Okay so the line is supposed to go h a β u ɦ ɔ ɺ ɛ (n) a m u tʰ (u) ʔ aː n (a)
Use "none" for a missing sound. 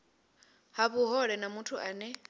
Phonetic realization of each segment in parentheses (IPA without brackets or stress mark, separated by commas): n, u, ɛ